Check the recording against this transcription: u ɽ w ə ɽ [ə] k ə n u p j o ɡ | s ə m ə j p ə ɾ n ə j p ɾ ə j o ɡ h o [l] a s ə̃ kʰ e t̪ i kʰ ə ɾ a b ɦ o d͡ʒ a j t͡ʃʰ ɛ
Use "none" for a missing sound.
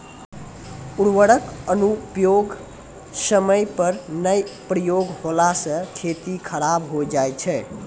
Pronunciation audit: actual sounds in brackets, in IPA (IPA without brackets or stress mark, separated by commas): ə, l